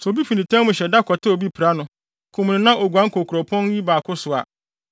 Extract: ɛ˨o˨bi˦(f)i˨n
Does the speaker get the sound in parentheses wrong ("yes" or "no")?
no